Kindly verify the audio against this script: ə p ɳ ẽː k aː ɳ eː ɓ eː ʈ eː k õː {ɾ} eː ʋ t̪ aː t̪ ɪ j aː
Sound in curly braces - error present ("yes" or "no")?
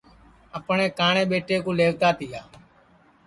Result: yes